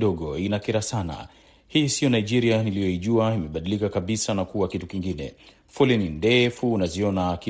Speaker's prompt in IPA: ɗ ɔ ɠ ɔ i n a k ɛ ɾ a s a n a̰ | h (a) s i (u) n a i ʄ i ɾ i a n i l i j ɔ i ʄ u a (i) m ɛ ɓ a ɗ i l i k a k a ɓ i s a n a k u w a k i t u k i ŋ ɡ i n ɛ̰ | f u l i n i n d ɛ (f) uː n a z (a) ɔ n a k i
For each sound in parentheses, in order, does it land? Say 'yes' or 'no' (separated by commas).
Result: no, no, yes, yes, no